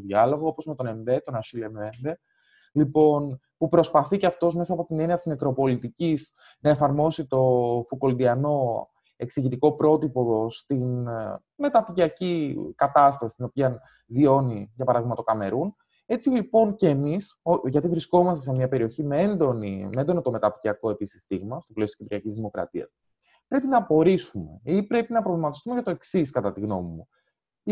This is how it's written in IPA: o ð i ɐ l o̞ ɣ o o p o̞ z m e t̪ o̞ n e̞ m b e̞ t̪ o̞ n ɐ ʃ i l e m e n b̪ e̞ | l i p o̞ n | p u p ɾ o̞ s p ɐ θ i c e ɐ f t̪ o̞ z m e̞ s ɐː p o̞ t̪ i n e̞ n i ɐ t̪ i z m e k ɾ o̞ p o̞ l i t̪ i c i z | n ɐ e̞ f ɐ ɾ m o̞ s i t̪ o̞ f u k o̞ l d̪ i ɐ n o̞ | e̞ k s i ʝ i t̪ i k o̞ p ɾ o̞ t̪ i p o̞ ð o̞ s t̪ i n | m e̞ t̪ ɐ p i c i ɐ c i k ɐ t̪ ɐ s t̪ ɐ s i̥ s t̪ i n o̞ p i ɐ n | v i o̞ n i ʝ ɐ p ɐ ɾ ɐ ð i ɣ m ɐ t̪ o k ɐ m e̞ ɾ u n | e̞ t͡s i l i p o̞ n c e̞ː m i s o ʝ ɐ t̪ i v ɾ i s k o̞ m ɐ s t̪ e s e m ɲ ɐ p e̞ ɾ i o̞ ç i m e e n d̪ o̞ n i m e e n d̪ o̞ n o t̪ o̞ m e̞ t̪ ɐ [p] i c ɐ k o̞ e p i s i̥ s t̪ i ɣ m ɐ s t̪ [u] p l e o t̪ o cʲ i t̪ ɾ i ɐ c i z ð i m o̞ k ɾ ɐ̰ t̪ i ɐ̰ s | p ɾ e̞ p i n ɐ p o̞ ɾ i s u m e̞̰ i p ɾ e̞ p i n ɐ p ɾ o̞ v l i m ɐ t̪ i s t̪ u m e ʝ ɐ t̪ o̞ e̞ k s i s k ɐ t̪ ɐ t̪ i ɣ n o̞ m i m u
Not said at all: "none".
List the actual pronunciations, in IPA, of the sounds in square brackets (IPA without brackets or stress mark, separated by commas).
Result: p, o